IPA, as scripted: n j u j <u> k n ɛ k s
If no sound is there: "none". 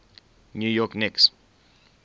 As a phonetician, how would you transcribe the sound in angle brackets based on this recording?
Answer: ɔ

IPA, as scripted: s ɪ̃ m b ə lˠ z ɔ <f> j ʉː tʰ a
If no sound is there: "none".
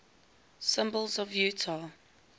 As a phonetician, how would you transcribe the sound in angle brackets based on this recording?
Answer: v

